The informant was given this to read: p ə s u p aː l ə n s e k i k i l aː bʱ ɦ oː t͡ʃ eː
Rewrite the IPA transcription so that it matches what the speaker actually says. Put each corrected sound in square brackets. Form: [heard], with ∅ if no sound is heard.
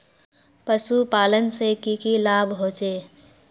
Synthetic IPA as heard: p ə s u p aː l ə n s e k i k i l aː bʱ ɦ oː t͡ʃ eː